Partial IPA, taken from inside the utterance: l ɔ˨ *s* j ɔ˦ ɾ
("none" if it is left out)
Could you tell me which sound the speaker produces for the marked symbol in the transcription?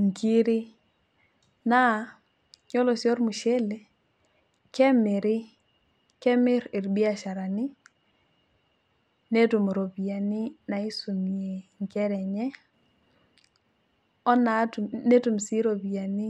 s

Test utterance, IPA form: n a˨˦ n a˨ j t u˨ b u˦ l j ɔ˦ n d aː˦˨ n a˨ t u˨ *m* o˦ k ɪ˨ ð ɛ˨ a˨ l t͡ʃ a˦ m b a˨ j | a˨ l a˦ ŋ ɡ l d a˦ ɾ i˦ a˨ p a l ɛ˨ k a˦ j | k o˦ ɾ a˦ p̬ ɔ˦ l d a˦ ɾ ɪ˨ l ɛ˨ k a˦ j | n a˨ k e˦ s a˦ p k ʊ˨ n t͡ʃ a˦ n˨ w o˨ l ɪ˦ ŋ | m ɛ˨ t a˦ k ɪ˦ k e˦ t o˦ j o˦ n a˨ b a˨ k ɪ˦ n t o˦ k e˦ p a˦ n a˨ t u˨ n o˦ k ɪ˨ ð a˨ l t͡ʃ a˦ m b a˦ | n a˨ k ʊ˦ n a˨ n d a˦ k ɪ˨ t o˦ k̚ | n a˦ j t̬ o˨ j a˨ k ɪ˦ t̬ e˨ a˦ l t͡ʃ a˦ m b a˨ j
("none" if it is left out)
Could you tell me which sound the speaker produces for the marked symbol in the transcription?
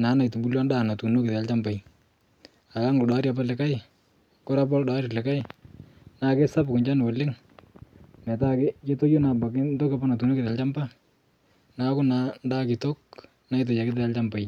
n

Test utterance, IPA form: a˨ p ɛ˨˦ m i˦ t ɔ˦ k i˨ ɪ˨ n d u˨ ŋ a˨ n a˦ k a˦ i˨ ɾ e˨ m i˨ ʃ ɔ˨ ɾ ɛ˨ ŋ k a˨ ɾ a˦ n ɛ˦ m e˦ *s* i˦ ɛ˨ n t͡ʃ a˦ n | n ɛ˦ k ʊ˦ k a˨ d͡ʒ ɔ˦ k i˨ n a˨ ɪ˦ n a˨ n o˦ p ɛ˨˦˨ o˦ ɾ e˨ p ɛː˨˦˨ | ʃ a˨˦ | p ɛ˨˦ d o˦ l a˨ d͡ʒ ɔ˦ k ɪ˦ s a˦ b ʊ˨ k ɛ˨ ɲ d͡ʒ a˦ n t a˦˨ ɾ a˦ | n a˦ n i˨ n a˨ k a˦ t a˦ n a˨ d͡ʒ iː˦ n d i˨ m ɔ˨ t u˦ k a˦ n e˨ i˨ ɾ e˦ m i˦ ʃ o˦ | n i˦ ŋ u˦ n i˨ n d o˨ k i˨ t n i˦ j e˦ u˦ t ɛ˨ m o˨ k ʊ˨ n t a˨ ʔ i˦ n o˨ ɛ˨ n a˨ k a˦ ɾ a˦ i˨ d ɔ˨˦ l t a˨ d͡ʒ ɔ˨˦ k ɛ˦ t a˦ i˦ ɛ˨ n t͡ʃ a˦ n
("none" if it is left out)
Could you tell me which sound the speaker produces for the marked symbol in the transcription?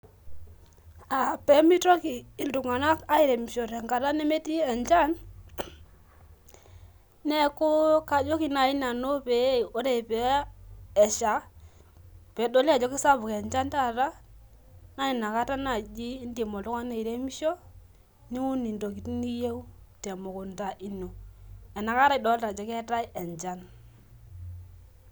t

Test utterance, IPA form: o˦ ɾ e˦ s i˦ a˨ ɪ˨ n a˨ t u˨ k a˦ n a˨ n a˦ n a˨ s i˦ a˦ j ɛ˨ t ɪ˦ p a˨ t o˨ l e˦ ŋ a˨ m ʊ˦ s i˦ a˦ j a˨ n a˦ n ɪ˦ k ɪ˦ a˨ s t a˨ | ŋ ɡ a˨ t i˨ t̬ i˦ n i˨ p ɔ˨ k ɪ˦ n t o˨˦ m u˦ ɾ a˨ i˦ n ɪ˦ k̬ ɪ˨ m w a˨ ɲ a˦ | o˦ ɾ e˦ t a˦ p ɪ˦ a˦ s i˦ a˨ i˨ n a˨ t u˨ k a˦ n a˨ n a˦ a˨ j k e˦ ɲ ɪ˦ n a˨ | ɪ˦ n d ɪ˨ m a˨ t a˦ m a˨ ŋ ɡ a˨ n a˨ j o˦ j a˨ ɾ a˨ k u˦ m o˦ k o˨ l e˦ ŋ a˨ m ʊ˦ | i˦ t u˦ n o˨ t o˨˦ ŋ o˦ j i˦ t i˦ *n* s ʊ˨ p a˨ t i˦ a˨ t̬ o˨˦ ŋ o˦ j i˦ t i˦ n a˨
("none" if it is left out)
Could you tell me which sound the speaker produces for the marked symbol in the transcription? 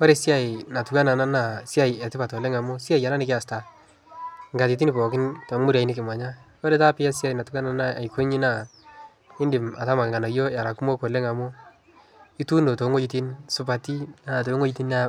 n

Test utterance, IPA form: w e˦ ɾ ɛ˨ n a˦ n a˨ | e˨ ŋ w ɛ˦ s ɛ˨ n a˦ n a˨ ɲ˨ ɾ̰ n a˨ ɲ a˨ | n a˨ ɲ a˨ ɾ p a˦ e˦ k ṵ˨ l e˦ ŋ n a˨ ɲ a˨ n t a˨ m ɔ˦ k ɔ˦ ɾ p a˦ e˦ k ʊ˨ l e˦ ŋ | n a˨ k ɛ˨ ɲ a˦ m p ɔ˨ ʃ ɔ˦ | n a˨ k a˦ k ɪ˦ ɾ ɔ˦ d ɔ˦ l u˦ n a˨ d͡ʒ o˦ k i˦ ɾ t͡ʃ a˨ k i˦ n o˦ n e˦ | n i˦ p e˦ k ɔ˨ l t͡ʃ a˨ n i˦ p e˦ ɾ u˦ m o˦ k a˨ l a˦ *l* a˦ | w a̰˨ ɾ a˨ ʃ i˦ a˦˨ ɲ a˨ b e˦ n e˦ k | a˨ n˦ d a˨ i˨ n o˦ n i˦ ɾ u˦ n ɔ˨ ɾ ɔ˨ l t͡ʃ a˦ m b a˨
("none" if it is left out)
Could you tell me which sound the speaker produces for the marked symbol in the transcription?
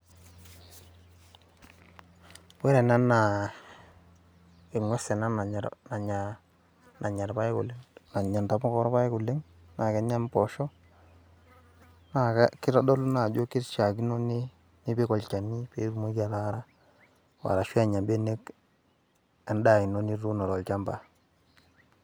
ɾ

